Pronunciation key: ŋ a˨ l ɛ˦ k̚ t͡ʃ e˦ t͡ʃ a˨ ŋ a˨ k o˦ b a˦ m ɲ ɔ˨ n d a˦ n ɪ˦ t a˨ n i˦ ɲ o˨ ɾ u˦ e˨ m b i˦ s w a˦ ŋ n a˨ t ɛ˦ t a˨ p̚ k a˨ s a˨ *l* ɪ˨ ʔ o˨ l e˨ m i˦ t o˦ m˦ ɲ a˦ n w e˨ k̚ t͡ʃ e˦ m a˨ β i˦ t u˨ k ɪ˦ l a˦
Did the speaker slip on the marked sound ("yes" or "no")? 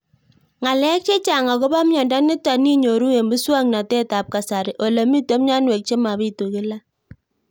yes